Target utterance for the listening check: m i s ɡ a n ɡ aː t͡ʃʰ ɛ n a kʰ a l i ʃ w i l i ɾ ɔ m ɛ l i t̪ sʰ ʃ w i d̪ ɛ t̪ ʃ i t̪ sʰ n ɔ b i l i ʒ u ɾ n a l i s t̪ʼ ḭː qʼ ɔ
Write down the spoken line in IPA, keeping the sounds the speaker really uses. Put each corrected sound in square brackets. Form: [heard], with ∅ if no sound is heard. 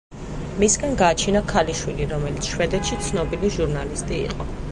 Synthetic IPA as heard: m i s ɡ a n ɡ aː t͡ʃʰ [i] n a kʰ a l i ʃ w i l i ɾ ɔ m ɛ l i t̪ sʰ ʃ w [ɛ] d̪ ɛ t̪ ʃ i t̪ sʰ n ɔ b i l i ʒ u ɾ n a l i s t̪ʼ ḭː qʼ ɔ